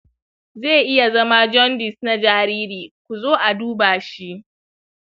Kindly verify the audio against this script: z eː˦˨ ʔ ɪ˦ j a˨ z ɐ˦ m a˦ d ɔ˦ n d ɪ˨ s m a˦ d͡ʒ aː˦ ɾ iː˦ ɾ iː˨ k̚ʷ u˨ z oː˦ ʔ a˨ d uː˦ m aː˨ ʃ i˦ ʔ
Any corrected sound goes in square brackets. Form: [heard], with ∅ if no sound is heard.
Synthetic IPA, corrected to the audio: z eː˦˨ ʔ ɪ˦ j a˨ z ɐ˦ m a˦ [d͡ʒ] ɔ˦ n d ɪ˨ s [n] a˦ d͡ʒ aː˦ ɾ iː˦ ɾ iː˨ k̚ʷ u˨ z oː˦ ʔ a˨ d uː˦ [b] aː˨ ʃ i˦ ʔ